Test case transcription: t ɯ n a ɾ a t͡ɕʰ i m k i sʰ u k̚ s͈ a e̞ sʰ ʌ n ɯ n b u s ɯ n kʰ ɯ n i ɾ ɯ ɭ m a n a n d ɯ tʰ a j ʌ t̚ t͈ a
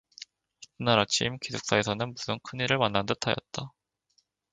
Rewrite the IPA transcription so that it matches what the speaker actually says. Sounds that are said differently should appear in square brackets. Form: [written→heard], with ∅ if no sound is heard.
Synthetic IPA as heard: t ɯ n a ɾ a t͡ɕʰ i m k i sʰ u k̚ s͈ a e̞ sʰ ʌ n ɯ n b u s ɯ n kʰ ɯ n i ɾ ɯ ɭ m a [n→nː] a n d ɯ tʰ a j ʌ t̚ t͈ a